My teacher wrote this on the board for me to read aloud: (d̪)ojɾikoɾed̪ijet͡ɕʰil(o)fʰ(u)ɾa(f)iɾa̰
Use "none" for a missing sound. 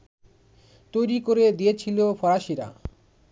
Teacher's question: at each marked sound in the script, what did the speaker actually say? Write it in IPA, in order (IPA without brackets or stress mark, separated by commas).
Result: t̪, o, ɔ, ʃ